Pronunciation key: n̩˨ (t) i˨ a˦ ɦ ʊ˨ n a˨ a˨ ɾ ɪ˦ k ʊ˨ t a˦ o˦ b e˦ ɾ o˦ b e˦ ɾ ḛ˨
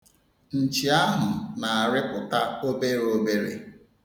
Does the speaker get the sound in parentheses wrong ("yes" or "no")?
yes